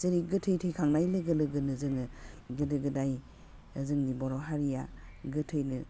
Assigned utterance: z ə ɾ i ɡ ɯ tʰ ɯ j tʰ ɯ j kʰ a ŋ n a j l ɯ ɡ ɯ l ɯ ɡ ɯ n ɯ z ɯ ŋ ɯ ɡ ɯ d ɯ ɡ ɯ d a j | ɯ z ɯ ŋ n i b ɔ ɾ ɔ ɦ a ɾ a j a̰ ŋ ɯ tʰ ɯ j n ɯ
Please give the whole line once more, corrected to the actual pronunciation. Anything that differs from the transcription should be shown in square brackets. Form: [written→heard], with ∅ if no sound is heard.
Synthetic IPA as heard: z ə ɾ i ɡ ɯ tʰ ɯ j tʰ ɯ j kʰ a ŋ n a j l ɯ ɡ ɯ l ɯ ɡ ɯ n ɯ z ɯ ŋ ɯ ɡ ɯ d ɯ ɡ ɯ d a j | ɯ z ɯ ŋ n i b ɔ ɾ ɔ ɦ a ɾ [a→i] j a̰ [ŋ→ɡ] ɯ tʰ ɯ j n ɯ